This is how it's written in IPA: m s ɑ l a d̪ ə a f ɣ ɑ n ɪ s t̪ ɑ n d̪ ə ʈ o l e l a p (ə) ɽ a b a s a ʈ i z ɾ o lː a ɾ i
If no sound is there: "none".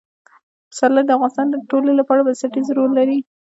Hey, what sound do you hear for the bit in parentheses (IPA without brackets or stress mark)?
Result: ɑ